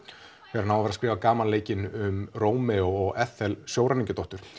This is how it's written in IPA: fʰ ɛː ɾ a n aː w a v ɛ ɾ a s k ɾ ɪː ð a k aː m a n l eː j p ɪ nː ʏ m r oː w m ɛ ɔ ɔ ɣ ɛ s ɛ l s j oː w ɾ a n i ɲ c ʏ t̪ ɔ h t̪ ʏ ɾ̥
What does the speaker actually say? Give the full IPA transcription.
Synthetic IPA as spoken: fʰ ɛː ɾ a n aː w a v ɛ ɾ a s k ɾ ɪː v a k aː m a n l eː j c ɪ n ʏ m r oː w m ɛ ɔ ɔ ɣ ɛ θ ɛ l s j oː w ɾ a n i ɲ c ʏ t̪ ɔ h t̪ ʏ ɾ̥